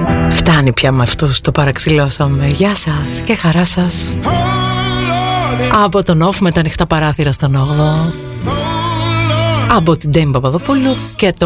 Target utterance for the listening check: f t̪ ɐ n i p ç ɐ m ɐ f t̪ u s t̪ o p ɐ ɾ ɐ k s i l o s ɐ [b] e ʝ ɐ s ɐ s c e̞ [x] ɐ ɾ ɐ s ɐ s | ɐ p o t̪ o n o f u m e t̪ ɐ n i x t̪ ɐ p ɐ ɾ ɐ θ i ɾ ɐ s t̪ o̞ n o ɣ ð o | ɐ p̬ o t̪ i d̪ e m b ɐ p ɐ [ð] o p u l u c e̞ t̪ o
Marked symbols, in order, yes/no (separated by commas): no, yes, yes